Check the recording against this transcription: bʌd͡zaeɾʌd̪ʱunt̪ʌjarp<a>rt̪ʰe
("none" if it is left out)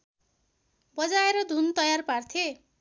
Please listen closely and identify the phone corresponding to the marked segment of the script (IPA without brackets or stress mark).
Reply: a